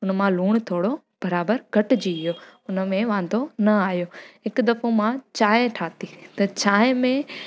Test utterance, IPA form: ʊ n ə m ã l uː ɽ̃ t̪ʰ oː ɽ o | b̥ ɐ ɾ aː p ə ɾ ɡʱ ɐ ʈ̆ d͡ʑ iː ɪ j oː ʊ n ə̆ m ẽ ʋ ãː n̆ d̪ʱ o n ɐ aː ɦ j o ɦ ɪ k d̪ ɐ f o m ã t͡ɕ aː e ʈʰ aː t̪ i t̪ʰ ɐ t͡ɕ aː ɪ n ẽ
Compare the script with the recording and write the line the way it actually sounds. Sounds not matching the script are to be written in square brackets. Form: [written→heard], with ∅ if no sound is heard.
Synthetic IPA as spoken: ʊ n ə m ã l uː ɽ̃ t̪ʰ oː ɽ o | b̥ ɐ ɾ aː [p→b] ə ɾ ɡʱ ɐ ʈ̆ d͡ʑ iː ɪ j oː ʊ n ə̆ m ẽ ʋ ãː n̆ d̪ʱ o n ɐ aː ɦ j o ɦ ɪ k d̪ ɐ f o m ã t͡ɕ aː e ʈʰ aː t̪ i [t̪ʰ→t̪] ɐ t͡ɕ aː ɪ [n→m] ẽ